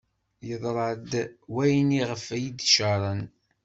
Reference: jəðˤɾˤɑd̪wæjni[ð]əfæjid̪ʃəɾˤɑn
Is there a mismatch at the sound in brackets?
yes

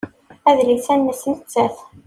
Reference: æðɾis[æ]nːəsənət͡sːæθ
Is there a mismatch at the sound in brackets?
no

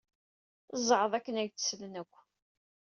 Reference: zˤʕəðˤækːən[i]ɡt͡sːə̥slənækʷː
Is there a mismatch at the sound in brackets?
yes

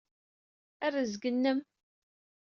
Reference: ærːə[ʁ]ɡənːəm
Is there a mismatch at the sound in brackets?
yes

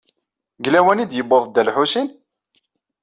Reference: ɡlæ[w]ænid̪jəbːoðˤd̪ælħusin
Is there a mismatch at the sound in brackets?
no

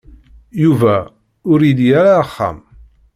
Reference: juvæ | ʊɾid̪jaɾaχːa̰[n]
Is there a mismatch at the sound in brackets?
yes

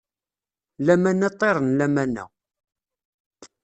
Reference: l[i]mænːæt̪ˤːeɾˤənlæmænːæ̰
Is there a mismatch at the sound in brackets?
yes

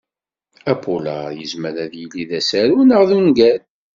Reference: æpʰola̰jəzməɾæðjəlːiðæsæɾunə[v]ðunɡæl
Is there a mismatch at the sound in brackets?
yes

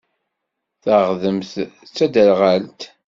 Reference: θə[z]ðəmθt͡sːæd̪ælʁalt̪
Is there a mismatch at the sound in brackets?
yes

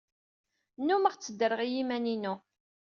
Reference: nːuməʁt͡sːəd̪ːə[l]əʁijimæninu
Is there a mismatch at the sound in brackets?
yes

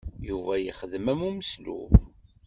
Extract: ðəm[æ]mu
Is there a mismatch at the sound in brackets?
no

